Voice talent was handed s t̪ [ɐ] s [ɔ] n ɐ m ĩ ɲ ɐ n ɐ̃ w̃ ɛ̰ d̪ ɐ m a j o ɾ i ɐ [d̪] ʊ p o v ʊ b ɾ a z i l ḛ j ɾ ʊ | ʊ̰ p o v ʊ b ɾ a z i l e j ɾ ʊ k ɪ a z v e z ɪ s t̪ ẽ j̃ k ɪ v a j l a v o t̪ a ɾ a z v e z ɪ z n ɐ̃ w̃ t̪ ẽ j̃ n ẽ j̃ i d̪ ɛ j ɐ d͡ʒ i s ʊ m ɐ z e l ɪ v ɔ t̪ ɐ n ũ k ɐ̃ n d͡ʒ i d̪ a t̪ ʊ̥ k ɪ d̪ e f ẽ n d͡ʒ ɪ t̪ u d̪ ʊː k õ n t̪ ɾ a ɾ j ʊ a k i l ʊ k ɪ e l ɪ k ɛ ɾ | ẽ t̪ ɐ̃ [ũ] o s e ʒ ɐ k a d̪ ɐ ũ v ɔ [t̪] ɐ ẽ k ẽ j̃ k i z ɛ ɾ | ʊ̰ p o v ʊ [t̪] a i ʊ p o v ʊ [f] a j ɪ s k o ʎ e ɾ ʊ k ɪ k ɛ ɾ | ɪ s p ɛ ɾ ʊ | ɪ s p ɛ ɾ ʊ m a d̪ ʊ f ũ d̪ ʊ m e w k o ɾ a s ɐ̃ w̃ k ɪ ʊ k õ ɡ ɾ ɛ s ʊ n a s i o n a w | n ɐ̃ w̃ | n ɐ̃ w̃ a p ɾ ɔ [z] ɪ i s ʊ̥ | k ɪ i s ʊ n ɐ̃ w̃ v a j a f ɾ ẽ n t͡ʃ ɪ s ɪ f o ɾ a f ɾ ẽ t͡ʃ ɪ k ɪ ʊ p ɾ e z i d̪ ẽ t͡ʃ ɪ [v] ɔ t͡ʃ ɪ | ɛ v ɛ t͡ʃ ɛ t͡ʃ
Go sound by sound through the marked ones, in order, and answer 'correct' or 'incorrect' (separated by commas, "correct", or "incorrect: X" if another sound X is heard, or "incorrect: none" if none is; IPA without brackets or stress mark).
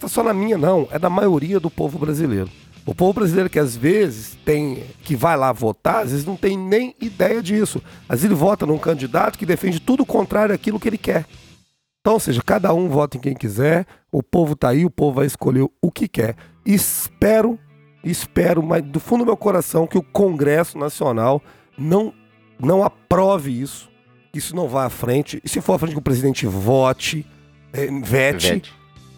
incorrect: a, correct, correct, incorrect: w̃, correct, correct, incorrect: v, incorrect: v, correct